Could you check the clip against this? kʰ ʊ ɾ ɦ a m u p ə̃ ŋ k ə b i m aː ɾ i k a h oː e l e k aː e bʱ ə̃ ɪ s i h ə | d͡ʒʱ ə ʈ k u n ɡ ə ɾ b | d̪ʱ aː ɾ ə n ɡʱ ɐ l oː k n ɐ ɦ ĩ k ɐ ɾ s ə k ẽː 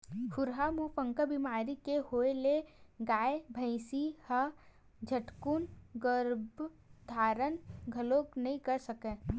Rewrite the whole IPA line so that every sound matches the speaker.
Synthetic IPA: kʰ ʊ ɾ ɦ a m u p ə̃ ŋ k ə b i m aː ɾ i k e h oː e l e ɡ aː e bʱ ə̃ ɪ s i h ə | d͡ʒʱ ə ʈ k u n ɡ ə ɾ b | d̪ʱ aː ɾ ə n ɡʱ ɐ l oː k n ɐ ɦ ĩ k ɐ ɾ s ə k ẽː